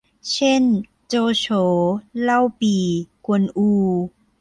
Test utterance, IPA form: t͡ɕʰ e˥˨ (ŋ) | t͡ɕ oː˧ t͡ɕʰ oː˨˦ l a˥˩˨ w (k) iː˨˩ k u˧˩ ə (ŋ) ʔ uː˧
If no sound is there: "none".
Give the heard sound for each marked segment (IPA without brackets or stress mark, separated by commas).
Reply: n, p, n